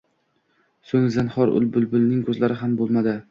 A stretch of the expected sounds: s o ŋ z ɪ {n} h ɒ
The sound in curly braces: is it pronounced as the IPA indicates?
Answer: yes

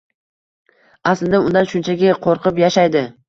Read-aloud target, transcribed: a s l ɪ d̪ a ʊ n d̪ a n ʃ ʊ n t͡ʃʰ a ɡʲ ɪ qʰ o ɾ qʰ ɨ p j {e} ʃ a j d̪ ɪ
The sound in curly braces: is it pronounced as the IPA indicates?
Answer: no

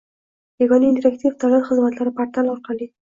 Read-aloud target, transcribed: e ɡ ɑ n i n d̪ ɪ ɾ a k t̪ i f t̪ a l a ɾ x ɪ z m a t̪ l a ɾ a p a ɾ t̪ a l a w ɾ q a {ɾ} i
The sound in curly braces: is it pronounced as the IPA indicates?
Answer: no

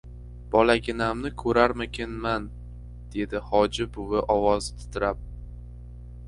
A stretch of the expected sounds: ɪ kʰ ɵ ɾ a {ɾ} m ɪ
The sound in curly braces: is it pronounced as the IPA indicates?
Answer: yes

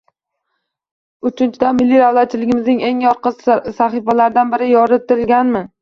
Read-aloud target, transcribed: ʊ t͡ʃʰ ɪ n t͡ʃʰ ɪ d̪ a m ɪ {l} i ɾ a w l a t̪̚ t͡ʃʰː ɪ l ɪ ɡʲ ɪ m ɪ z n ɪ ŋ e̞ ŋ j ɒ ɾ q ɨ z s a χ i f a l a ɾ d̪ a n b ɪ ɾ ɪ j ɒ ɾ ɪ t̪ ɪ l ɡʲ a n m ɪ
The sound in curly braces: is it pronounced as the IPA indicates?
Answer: no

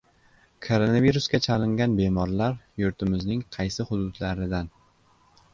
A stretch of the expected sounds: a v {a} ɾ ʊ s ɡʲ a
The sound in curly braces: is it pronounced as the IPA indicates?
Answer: no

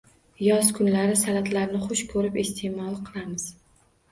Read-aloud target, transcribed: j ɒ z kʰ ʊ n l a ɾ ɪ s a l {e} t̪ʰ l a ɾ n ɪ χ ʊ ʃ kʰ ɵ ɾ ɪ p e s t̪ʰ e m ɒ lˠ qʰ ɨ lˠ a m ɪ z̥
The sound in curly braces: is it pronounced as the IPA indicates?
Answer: no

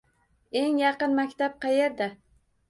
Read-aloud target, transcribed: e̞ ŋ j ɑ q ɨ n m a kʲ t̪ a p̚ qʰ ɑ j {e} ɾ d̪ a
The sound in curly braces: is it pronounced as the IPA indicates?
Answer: yes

